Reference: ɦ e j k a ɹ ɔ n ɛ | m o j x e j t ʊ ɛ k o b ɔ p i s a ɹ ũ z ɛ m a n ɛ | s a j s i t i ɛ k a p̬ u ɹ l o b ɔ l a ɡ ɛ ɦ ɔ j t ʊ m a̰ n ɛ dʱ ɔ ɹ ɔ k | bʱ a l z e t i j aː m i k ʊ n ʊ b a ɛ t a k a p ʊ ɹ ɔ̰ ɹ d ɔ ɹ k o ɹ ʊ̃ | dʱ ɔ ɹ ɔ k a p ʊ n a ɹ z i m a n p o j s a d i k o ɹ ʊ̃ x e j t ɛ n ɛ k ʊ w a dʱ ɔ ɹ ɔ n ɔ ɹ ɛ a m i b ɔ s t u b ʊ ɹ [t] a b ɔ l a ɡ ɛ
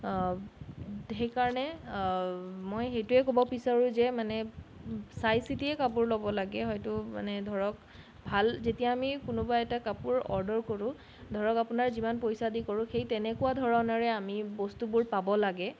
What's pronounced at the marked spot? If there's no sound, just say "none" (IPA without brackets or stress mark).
p